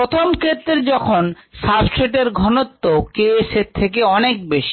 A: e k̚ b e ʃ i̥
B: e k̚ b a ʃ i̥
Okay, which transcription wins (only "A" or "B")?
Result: A